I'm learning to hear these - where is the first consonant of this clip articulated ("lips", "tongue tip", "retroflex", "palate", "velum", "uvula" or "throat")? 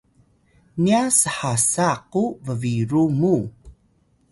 tongue tip